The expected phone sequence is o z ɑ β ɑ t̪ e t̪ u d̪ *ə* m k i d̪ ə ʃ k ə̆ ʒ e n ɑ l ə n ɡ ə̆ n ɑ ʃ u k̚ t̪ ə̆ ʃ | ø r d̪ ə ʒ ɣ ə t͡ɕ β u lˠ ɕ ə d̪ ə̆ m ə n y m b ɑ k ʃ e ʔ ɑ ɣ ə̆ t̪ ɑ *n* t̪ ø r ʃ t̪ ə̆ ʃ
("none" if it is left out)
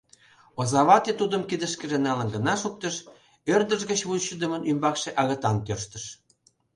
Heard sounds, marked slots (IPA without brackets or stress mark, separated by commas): ə, n